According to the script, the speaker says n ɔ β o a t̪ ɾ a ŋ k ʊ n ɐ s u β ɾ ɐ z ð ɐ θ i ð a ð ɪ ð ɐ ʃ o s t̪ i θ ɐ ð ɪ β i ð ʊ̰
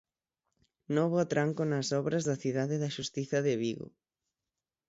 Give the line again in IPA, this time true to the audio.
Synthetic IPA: n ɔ β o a t̪ ɾ a ŋ k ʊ n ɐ s ɔ β ɾ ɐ z ð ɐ θ i ð a ð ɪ ð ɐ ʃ u s t̪ i θ ɐ ð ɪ β i ɣ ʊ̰